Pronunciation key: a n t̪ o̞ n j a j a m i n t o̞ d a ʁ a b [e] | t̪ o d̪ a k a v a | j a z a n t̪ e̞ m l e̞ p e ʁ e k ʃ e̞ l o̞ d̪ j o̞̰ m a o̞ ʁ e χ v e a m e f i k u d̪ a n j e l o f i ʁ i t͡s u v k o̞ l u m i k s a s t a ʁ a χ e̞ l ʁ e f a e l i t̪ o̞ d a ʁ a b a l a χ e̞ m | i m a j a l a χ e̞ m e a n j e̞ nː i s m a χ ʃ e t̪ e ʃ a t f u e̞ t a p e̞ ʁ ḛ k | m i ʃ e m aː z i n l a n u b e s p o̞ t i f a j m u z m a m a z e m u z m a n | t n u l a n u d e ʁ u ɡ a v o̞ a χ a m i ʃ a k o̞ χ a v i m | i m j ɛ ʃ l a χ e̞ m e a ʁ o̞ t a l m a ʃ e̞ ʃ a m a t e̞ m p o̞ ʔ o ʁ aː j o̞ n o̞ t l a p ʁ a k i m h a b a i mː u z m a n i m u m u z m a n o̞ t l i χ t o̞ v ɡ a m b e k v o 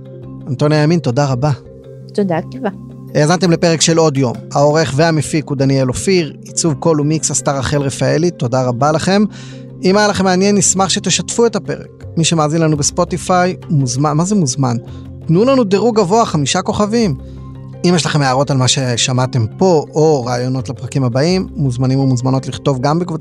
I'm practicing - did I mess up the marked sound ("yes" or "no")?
yes